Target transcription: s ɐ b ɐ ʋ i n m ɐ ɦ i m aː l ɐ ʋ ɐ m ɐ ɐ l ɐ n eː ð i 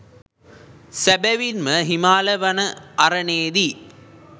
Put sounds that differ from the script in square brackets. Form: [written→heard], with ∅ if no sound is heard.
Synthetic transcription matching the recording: s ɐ b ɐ ʋ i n m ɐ ɦ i m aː l ɐ ʋ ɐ [m→n] ɐ ɐ [l→ɾ] ɐ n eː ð i